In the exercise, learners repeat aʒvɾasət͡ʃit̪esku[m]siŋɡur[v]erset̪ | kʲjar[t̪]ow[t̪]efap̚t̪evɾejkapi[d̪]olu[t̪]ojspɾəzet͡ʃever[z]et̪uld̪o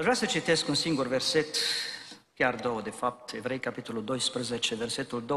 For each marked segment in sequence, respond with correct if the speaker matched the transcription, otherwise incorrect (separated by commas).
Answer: incorrect, correct, incorrect, incorrect, incorrect, incorrect, incorrect